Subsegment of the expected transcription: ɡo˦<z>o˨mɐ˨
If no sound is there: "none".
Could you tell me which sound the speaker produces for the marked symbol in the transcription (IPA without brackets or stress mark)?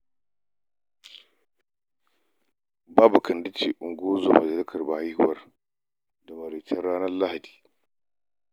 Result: z